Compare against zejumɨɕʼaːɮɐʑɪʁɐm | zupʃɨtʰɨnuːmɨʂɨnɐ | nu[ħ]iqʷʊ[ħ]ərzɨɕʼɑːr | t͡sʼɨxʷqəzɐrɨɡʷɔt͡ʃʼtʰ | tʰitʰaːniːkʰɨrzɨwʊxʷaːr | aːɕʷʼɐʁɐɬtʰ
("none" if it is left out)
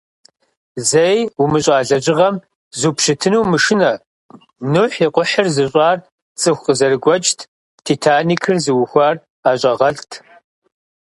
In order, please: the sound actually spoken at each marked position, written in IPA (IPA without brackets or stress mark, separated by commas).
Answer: ħ, ħ